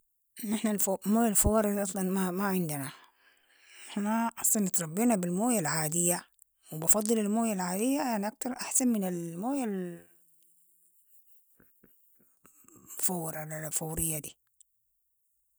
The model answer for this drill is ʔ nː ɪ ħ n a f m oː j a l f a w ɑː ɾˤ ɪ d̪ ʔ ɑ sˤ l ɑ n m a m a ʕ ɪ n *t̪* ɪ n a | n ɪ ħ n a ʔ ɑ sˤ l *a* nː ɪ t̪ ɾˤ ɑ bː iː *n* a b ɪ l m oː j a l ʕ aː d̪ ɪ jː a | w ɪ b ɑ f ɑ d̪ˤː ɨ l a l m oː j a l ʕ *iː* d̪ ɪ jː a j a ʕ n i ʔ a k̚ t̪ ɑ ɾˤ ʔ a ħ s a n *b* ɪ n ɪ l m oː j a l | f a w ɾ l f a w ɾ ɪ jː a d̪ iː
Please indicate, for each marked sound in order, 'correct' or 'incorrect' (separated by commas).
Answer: incorrect, incorrect, correct, incorrect, incorrect